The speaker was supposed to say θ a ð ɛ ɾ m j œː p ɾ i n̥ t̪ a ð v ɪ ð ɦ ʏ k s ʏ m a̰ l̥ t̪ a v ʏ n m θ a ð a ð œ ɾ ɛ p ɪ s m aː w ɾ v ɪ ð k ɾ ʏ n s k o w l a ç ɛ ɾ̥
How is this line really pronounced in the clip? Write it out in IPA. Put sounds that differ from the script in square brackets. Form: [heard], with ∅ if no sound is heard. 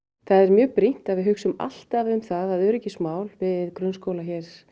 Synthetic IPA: θ a ð ɛ ɾ m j œː p ɾ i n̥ t̪ a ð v ɪ ð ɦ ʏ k s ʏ m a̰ l̥ t̪ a v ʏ [∅] m θ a ð a ð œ ɾ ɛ [c] ɪ s m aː w [l] v ɪ ð k ɾ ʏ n s k o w l a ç ɛ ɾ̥